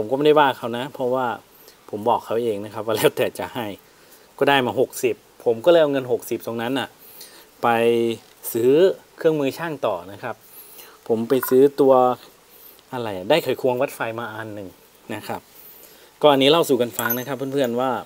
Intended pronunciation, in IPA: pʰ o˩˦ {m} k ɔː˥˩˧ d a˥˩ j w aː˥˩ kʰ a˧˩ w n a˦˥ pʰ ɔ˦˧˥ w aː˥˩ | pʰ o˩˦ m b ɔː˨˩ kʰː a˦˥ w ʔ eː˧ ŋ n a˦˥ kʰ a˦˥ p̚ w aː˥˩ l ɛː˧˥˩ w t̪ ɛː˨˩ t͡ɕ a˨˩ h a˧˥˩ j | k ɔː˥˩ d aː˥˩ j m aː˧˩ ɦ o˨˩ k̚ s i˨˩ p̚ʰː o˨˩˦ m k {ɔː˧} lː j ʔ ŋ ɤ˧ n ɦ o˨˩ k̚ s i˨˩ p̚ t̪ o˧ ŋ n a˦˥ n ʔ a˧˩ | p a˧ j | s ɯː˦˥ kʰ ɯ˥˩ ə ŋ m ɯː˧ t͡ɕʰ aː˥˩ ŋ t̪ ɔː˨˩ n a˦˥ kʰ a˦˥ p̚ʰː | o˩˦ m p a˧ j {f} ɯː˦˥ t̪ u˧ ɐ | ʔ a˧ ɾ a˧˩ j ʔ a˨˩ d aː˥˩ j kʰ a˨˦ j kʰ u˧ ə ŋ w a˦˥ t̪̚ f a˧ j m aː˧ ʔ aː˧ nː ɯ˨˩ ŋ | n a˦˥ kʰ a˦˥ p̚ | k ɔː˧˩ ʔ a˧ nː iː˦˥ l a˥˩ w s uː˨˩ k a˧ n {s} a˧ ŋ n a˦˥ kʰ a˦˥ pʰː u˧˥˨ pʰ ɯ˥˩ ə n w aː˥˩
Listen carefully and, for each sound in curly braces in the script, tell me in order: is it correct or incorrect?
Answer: correct, incorrect: ɔː˥˩, incorrect: s, incorrect: f

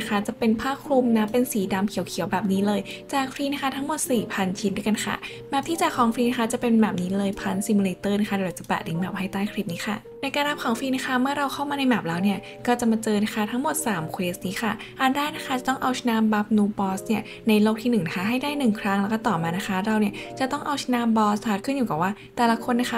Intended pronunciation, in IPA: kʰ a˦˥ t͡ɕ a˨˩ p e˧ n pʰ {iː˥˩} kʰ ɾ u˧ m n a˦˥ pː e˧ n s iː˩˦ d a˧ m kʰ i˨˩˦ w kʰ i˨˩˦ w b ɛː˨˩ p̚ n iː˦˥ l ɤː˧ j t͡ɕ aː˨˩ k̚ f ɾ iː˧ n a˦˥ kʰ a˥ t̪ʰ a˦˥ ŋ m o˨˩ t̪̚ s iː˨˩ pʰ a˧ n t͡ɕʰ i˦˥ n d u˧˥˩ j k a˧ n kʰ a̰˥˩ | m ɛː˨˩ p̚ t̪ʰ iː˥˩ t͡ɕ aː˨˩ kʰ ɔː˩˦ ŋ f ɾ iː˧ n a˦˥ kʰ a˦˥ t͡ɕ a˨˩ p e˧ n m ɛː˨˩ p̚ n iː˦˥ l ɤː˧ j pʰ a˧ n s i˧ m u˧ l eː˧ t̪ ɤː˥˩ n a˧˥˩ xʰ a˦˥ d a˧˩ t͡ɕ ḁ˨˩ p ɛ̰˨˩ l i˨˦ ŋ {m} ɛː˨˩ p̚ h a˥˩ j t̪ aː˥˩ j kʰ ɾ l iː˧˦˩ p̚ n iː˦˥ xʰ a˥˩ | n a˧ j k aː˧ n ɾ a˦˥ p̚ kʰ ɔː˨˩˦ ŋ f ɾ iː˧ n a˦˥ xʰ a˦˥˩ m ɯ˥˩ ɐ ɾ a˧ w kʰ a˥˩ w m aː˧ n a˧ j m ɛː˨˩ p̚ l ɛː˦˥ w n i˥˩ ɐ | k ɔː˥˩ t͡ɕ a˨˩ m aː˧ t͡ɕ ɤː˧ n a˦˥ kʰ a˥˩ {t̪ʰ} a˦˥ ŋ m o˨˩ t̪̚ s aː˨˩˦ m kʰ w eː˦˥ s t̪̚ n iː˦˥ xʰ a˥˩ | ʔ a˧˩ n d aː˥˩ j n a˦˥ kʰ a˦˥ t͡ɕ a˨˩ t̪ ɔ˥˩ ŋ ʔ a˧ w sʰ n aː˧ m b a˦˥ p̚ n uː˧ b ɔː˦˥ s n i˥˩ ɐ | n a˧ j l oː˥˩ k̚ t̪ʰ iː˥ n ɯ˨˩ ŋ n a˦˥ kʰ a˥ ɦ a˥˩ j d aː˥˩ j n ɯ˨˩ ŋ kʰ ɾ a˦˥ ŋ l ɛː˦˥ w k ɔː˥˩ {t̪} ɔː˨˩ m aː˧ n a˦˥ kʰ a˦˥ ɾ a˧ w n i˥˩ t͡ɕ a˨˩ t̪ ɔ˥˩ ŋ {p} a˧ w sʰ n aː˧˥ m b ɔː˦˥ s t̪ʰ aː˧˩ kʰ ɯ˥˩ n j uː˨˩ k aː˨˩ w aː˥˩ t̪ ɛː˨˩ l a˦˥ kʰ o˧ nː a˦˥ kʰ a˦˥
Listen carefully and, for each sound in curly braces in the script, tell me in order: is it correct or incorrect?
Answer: incorrect: aː˥˩, correct, correct, correct, incorrect: ʔ

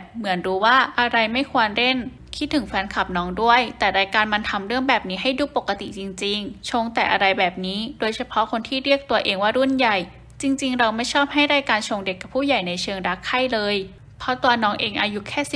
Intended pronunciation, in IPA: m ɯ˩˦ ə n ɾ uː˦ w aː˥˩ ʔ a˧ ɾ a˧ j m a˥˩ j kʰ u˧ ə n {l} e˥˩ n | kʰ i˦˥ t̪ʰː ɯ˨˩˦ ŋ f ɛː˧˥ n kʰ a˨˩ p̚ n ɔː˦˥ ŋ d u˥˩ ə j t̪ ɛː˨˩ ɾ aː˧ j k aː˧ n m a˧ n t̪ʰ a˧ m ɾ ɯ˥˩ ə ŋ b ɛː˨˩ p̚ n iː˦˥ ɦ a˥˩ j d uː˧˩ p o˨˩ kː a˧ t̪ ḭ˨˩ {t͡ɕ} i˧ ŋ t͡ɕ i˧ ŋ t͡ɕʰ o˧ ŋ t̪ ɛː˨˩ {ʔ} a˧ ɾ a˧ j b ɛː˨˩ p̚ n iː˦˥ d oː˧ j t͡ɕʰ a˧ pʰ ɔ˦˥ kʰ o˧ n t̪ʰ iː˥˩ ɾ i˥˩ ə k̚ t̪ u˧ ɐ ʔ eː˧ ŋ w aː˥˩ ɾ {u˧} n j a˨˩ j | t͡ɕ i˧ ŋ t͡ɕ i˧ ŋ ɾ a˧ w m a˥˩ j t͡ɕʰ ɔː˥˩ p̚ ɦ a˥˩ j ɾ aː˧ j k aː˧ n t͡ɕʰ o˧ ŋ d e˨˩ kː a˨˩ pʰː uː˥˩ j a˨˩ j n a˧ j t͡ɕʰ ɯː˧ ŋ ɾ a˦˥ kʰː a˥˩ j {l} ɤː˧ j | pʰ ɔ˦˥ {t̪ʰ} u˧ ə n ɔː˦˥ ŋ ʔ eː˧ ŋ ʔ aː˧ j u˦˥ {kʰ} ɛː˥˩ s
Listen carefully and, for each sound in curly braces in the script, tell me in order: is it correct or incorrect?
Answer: incorrect: ɾ, correct, correct, incorrect: u˥˩, correct, incorrect: t̪, correct

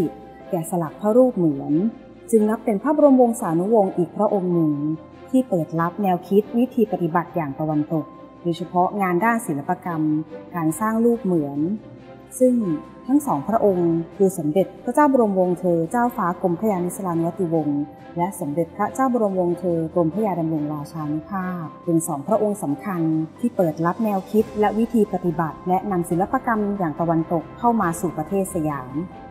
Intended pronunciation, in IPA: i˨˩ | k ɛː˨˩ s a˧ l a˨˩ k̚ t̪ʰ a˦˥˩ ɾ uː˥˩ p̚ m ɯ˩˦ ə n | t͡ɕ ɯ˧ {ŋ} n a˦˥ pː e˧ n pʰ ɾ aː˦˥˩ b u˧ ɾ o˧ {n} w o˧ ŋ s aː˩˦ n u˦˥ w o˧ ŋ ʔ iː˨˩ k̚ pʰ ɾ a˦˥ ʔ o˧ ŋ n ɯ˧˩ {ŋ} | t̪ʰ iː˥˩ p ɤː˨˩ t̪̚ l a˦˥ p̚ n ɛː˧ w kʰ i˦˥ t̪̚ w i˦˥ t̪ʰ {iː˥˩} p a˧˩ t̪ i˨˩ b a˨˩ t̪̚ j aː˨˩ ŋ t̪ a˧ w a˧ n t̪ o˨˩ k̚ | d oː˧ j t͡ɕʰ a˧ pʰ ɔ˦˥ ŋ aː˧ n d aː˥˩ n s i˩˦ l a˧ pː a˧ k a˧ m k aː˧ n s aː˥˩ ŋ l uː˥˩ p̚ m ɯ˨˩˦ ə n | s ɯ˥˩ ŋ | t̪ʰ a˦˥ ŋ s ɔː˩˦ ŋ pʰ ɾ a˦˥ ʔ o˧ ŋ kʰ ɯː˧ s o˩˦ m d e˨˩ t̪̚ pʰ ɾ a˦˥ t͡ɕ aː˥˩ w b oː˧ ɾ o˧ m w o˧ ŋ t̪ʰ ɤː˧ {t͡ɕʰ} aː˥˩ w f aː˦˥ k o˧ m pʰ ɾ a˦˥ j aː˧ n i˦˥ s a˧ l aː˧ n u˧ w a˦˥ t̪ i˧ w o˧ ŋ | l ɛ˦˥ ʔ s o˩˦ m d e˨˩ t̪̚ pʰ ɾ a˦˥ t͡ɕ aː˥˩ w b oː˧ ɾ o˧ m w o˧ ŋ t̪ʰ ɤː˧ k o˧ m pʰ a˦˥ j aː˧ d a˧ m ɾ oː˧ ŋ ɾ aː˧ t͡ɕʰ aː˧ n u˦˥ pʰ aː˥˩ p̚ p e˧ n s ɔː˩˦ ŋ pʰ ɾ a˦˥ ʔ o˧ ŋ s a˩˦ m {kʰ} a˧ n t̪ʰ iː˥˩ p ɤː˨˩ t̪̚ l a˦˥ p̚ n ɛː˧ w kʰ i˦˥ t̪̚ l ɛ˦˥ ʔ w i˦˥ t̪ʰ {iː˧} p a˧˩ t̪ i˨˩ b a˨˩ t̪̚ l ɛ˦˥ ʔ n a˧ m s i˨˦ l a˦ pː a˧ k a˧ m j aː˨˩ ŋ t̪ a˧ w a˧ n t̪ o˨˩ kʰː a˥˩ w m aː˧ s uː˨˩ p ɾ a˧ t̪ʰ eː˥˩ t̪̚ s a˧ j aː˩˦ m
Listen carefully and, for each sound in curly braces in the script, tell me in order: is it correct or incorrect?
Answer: correct, incorrect: m, correct, incorrect: iː˧, incorrect: t͡ɕ, correct, correct

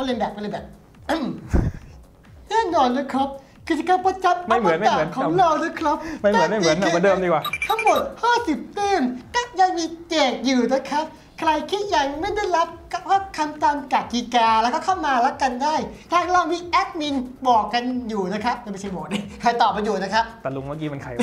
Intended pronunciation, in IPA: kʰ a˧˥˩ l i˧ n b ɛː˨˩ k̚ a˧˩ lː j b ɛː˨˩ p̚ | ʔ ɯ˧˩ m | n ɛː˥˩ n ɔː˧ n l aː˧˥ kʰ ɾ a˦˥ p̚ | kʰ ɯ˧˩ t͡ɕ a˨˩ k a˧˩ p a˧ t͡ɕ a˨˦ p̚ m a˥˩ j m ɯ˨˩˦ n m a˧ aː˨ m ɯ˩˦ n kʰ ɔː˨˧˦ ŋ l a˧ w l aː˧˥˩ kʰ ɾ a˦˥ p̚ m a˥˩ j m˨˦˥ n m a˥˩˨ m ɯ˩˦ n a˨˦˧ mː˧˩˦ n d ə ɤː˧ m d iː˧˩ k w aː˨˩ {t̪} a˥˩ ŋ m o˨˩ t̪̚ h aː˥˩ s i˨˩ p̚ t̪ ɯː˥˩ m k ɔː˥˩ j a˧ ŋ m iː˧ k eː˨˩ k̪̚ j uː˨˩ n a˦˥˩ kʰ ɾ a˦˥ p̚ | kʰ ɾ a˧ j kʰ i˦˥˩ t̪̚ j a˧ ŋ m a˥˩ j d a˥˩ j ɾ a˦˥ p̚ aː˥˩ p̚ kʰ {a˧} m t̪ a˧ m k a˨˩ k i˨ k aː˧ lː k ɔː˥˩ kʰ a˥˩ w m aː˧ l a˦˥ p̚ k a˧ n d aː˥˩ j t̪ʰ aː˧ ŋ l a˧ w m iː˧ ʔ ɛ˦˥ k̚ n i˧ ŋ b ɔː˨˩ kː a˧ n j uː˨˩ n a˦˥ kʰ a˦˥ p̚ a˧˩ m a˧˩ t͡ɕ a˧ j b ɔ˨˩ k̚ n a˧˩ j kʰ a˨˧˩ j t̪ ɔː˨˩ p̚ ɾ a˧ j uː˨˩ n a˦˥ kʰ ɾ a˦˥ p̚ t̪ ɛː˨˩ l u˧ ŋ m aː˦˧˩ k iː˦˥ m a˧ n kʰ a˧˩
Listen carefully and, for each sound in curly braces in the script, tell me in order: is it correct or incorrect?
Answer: incorrect: t̪ʰ, correct

